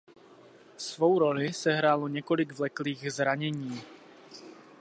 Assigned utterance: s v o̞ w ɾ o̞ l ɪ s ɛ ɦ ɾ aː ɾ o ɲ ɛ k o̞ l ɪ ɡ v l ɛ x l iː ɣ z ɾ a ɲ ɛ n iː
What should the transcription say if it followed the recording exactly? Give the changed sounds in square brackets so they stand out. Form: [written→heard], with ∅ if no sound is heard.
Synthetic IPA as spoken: s v o̞ w ɾ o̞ l ɪ s ɛ ɦ ɾ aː [ɾ→l] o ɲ ɛ k o̞ l ɪ ɡ v l ɛ [x→k] l iː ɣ z ɾ a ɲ ɛ [n→ɲ] iː